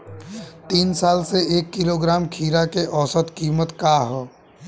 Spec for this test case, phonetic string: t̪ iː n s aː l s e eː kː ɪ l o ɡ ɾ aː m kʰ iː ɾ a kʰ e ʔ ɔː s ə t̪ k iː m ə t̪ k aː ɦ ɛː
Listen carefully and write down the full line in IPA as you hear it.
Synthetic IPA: t̪ iː n s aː l s e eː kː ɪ l o ɡ ɾ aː m kʰ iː ɾ a k e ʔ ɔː s ə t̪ k iː m ə t̪ k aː ɦ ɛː